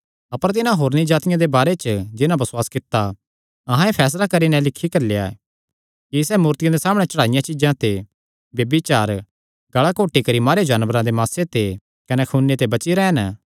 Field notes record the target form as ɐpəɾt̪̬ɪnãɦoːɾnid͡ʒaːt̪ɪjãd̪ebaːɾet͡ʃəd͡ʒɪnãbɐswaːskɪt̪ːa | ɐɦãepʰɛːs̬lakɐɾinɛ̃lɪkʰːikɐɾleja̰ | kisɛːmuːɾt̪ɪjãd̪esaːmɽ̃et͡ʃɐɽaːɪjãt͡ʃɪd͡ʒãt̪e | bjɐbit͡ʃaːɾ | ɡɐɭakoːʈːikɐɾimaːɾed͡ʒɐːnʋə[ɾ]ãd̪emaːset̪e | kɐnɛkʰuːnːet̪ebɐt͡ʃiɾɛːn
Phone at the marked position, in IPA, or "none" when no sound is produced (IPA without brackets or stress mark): ɾ